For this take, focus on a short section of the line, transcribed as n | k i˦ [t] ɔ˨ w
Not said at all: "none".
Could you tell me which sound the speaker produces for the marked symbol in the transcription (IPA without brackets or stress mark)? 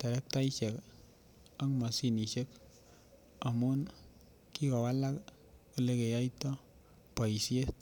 k